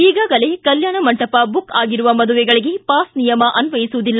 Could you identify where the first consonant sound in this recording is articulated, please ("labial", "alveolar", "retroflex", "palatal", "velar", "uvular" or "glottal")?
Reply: velar